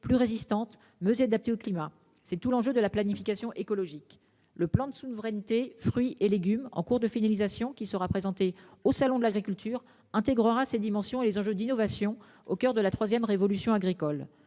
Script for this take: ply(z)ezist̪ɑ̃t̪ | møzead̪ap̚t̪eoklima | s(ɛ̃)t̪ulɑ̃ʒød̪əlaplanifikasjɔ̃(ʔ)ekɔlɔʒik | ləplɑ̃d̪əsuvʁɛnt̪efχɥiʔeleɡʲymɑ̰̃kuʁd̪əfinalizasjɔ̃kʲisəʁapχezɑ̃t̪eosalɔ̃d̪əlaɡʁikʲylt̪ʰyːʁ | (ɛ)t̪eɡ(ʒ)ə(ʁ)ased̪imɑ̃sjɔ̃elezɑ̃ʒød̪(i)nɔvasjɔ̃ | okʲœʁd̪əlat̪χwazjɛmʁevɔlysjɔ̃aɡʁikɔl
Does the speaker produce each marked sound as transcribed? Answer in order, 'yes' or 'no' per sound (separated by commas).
no, no, yes, no, no, yes, yes